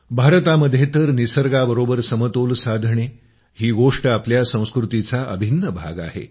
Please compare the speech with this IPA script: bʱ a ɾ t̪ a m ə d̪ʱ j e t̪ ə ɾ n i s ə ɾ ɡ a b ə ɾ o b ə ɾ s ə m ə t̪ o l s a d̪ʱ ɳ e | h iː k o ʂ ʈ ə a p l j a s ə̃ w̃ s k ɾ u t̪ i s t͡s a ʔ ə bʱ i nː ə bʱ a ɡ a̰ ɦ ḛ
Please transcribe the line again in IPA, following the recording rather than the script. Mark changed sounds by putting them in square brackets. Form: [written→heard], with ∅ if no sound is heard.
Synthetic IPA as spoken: bʱ a ɾ t̪ a m ə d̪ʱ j e t̪ ə ɾ n i s ə ɾ ɡ a b ə ɾ o b ə ɾ s ə m ə t̪ o l s a d̪ʱ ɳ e | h iː [k→ɡ] o ʂ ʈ ə a p l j a s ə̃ w̃ s k ɾ u t̪ i [s→∅] t͡s a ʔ ə bʱ i nː ə bʱ a ɡ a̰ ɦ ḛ